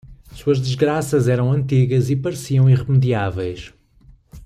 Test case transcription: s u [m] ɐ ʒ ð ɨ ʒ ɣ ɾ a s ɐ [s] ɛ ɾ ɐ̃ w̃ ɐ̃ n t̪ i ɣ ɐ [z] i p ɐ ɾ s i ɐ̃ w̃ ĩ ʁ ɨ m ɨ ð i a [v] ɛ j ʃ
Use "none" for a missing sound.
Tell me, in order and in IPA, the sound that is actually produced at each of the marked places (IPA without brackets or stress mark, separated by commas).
none, z, z, v